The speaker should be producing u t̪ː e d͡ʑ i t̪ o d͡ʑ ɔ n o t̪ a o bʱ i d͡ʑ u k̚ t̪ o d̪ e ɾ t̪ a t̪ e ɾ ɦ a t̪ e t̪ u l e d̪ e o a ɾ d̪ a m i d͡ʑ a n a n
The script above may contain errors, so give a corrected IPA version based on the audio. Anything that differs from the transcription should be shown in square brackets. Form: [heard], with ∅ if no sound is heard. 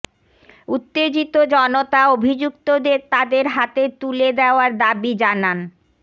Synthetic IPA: u t̪ː e d͡ʑ i t̪ o d͡ʑ ɔ n o t̪ a o bʱ i d͡ʑ u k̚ t̪ o d̪ e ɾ t̪ a [d̪] e ɾ ɦ a t̪ e t̪ u l e d̪ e o a ɾ d̪ a [b] i d͡ʑ a n a n